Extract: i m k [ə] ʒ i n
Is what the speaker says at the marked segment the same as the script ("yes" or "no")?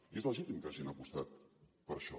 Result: no